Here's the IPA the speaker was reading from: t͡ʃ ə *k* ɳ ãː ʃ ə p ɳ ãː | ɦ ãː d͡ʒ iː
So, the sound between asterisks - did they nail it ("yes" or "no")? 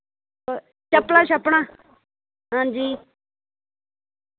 no